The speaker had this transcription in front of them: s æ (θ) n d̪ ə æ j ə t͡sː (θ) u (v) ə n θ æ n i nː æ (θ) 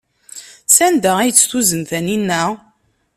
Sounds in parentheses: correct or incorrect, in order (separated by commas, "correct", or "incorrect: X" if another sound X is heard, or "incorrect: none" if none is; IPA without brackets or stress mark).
incorrect: none, correct, incorrect: z, incorrect: none